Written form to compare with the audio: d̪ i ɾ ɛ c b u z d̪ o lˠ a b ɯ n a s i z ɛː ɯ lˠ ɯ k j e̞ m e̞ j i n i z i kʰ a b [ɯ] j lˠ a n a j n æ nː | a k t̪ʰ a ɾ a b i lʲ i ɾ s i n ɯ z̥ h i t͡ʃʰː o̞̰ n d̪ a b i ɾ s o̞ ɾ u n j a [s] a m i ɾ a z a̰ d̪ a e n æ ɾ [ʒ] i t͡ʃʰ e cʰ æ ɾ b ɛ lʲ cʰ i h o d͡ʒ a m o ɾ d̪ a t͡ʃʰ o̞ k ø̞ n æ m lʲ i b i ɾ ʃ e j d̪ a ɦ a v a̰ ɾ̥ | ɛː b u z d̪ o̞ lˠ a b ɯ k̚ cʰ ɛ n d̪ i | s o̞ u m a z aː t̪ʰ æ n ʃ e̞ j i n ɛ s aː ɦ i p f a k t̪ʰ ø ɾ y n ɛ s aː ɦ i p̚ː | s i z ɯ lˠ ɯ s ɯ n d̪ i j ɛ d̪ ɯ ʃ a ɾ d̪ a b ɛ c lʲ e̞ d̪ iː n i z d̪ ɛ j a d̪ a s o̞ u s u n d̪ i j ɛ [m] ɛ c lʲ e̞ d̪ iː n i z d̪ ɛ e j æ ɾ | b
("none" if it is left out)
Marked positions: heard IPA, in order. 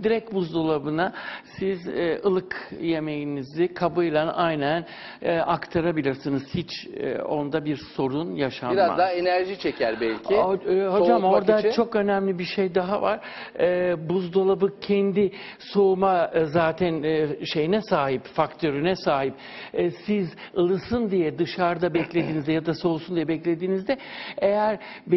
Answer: ɯ, ʃ, ʒ, b

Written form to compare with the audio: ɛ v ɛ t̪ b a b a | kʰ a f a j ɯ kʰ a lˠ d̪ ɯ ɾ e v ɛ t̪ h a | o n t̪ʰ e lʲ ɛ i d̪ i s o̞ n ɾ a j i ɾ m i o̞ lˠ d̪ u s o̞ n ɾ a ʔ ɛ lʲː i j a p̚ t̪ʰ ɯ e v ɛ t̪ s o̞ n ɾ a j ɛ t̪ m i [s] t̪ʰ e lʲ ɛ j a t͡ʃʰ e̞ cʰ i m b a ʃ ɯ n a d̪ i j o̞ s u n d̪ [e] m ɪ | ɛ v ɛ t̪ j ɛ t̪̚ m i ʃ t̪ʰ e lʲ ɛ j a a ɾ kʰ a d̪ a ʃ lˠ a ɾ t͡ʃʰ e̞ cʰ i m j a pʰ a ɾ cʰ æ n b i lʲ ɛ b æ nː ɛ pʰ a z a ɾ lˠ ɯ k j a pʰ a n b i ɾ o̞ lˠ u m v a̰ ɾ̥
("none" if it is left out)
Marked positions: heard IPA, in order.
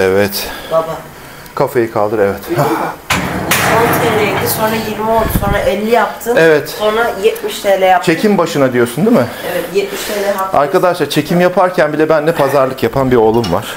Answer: ʃ, i

